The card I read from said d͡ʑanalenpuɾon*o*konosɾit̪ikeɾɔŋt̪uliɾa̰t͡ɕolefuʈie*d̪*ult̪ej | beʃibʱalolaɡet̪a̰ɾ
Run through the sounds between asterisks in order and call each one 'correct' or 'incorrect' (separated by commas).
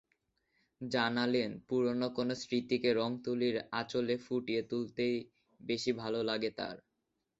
correct, incorrect